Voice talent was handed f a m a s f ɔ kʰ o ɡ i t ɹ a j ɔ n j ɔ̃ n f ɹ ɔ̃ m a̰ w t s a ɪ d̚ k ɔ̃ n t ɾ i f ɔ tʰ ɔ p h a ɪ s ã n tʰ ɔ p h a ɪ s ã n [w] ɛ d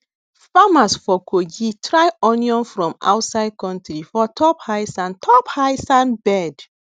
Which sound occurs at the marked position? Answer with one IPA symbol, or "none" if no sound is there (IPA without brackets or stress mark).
b